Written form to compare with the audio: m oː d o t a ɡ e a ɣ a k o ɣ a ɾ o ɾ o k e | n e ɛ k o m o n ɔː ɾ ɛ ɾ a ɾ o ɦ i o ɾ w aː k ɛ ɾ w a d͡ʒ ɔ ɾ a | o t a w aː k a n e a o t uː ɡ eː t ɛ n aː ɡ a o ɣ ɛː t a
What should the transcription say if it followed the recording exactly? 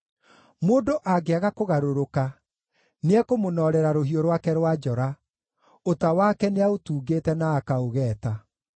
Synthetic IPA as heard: m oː d o ʔ a ɡ e a ɣ a k o ɣ a ɾ o ɾ o k a | n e ɛ k o m o n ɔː ɾ ɛ ɾ a ɾ o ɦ i o ɾ w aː k ɛ ɾ w a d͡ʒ ɔ ɾ a | o t a w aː k ɛ n e a o t uː ɡ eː t ɛ n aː k a o ɣ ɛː t a